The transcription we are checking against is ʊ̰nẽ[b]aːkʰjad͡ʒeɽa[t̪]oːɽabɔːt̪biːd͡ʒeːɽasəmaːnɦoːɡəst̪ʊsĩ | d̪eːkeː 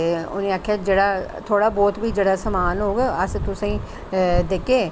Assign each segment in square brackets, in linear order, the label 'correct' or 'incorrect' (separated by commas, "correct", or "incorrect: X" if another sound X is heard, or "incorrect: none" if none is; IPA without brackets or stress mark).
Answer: incorrect: none, incorrect: t̪ʰ